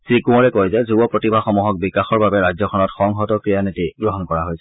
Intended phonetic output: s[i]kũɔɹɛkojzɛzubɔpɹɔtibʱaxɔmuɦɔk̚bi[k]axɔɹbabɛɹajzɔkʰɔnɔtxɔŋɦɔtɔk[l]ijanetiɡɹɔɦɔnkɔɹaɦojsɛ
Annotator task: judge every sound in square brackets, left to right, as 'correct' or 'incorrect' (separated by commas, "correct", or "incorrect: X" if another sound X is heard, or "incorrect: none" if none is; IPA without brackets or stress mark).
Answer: correct, correct, incorrect: ɹ